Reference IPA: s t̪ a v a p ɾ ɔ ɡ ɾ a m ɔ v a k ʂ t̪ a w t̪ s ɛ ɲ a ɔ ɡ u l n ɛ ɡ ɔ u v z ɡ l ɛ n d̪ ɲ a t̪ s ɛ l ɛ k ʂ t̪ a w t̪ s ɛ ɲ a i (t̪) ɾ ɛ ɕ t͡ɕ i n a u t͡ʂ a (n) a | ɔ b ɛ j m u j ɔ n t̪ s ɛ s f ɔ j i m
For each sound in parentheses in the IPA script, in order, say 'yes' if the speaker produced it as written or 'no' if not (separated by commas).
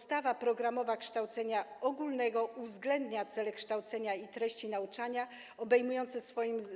yes, no